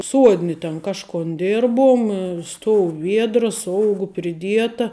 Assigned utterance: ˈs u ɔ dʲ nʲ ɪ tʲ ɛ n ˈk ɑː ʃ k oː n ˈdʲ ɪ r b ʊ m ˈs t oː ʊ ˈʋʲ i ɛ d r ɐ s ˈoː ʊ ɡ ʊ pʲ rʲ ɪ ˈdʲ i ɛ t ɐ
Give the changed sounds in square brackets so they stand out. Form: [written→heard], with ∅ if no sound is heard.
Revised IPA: ˈs u ɔ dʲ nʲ ɪ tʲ ɛ n ˈk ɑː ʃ k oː n ˈdʲ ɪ r b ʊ m ˈs t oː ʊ ˈʋʲ i ɛ d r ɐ s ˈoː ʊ ɡ ʊ pʲ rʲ ɪ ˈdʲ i ɛ t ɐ